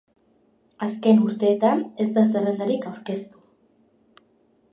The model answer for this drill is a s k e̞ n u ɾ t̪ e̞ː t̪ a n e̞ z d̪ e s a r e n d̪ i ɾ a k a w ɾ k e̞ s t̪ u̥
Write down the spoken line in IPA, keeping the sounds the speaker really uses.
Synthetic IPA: a s k e̞ n u ɾ t̪ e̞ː t̪ a n e̞ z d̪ a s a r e n d̪ a ɾ i k a w ɾ k e̞ s t̪ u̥